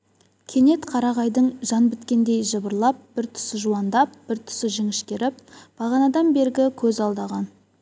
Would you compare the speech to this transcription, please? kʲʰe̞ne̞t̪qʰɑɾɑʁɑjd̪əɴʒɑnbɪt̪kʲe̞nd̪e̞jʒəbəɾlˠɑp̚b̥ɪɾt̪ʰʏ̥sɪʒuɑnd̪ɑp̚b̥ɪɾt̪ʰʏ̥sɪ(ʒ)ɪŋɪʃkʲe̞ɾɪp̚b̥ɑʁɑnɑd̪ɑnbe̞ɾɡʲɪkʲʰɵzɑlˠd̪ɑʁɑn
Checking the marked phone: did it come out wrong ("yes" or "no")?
no